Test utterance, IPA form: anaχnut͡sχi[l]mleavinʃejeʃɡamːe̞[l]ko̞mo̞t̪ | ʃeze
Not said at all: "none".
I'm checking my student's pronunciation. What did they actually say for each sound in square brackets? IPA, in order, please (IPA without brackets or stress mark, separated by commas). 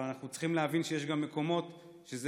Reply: none, none